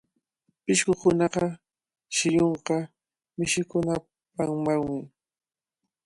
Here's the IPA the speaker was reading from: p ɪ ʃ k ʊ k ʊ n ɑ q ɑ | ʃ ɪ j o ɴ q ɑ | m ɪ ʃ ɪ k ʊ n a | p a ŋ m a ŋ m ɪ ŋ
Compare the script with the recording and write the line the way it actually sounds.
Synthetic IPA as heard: p ɪ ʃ k ʊ k ʊ n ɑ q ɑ | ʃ ɪ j o ɴ q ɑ | m ɪ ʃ ɪ k ʊ n a | p a ŋ m a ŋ m ɪ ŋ